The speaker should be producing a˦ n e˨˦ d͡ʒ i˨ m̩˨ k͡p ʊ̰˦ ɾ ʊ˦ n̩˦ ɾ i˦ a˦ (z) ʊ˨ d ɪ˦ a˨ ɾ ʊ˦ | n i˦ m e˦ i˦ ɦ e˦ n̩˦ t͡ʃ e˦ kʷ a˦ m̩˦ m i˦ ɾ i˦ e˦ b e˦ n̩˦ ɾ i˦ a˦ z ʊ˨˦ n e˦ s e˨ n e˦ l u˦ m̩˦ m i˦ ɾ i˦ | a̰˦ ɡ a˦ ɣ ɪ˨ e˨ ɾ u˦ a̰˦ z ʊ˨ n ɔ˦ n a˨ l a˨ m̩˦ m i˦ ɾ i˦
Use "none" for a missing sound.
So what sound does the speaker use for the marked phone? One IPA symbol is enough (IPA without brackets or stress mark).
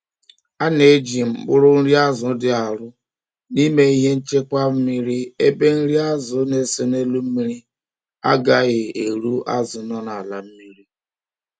z